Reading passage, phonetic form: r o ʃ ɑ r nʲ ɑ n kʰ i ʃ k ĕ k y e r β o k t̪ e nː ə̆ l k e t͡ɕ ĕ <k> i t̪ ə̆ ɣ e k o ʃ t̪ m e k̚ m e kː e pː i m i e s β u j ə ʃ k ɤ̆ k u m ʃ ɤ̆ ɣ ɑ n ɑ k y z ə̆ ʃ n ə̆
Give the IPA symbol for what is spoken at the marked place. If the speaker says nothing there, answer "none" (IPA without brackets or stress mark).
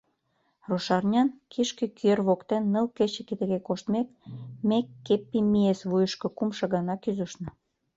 k